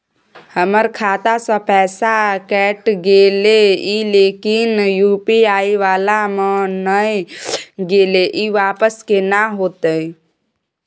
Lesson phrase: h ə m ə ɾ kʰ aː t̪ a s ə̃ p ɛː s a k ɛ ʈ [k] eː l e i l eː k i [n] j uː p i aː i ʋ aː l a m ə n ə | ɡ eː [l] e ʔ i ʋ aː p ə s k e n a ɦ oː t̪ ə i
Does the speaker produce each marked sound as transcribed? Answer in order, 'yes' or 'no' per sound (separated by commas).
no, yes, yes